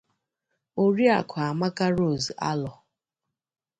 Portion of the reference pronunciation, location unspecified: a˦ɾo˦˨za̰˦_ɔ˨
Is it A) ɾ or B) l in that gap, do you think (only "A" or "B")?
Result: B